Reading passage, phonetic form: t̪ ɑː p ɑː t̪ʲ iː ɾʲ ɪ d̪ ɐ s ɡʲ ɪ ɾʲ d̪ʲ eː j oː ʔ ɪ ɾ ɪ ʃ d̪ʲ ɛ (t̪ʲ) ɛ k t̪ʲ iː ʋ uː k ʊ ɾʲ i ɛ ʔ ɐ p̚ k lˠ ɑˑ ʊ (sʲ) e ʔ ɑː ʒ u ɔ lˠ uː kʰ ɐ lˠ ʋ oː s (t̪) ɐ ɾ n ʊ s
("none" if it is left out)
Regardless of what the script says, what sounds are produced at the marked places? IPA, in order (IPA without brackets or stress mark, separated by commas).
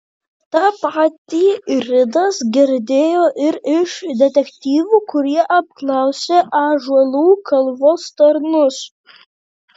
t̪ʲ, sʲ, t̪